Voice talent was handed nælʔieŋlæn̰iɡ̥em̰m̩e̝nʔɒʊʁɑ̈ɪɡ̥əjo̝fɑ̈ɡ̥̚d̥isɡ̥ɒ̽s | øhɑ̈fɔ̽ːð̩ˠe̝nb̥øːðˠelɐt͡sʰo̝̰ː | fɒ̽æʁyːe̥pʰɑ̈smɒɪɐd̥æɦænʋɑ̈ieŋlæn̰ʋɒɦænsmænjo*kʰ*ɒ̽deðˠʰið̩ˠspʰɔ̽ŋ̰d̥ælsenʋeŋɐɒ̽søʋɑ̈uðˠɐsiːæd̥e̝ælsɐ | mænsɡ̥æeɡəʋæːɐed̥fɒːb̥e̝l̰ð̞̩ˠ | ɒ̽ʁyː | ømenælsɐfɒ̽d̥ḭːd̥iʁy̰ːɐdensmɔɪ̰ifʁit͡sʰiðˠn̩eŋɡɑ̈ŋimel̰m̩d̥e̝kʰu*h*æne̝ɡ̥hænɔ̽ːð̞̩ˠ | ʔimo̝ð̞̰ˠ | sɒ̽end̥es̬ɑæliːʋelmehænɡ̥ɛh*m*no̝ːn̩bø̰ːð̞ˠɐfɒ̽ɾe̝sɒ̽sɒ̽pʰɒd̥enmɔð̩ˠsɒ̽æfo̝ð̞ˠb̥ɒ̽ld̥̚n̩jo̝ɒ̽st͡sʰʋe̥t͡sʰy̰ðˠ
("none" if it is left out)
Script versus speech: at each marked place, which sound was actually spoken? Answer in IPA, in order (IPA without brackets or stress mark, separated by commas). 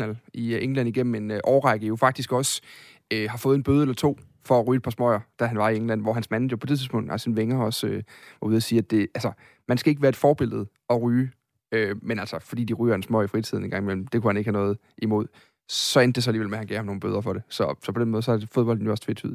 pʰ, h, m